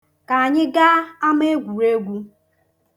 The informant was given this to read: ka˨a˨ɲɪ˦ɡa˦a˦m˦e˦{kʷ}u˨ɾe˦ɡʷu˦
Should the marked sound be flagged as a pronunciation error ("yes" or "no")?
yes